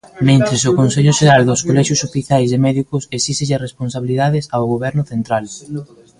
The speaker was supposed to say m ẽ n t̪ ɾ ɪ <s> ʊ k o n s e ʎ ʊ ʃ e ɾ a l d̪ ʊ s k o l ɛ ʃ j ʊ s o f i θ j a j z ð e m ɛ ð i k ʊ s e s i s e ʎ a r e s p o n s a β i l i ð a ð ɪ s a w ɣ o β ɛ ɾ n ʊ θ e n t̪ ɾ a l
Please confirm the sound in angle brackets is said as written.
yes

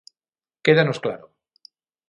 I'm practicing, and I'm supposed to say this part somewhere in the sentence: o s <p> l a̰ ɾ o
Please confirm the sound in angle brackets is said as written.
no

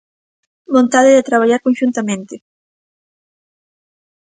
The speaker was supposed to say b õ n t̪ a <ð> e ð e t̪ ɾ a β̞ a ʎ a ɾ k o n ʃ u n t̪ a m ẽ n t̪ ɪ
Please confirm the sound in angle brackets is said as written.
yes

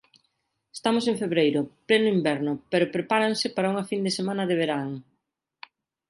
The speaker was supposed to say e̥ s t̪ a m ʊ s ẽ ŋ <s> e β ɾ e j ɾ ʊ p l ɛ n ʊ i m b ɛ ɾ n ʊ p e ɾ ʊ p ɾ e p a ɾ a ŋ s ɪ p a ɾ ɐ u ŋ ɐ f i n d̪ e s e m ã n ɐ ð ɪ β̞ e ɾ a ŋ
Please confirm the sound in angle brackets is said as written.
no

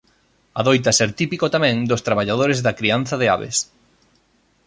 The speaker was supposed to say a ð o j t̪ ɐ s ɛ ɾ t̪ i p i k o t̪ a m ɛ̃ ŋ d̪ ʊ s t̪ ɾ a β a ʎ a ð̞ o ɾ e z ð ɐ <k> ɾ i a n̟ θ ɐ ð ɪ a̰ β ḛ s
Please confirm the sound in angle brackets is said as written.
yes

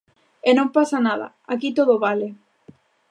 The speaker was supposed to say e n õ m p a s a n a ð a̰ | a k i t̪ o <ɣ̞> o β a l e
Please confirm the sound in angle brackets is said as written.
no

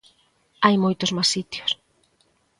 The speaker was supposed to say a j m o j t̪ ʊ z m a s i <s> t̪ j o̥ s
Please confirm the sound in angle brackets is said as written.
no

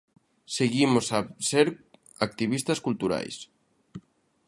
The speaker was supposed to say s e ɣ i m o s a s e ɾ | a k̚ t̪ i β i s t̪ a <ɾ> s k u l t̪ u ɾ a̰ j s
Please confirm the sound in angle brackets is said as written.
no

